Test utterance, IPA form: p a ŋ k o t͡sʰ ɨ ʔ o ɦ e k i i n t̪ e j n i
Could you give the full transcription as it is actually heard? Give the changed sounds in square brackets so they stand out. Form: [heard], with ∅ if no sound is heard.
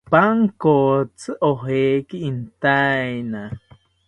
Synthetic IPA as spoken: p a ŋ k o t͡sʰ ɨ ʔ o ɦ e k i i n t̪ [a] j n [a]